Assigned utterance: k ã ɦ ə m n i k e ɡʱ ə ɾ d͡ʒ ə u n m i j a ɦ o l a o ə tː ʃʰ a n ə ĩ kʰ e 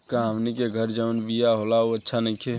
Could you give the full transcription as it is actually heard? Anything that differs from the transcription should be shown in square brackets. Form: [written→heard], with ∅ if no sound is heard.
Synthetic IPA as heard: k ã ɦ ə m n i k e ɡʱ ə ɾ d͡ʒ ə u n [m→b] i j a ɦ o l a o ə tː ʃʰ a n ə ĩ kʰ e